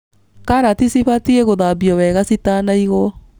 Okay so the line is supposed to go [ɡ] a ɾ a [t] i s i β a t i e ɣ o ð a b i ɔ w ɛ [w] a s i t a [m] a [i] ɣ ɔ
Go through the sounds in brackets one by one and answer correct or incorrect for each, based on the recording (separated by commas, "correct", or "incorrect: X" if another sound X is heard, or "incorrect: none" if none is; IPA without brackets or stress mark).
incorrect: k, correct, incorrect: ɣ, incorrect: n, correct